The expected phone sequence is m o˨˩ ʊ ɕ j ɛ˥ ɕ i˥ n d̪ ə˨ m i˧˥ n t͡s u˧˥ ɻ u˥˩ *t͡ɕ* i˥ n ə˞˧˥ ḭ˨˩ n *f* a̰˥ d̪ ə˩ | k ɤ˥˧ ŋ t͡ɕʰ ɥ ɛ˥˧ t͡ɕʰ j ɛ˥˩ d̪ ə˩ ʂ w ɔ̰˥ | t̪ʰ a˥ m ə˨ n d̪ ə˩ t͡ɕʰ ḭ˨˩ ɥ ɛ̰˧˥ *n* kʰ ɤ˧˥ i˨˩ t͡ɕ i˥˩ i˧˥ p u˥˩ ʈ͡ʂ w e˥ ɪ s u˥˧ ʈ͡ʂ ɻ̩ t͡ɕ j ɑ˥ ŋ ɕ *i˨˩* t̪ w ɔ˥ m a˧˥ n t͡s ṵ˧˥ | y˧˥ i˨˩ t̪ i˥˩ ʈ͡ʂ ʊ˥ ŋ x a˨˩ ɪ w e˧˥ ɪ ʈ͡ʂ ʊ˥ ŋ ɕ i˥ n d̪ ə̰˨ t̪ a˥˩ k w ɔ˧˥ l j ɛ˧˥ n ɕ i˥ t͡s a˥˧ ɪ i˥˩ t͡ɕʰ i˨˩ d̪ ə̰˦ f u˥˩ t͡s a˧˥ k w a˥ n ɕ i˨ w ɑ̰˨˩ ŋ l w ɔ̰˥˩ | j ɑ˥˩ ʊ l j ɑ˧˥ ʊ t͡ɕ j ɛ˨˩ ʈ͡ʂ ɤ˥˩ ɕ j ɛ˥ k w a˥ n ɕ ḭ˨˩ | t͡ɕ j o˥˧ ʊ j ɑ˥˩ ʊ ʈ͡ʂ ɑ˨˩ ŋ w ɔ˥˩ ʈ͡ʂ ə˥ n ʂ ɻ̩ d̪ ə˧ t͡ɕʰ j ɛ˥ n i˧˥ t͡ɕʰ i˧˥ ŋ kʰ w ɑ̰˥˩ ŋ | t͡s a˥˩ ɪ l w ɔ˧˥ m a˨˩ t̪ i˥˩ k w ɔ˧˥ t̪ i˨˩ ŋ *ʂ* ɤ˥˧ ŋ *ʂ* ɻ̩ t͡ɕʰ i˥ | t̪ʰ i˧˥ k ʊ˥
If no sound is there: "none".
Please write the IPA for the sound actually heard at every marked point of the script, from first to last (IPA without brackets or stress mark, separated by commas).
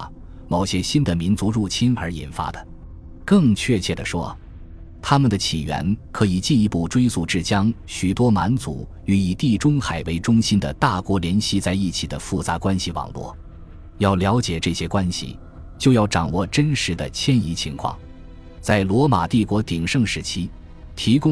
t͡ɕʰ, f, n, y˨˩, ʂ, ʂ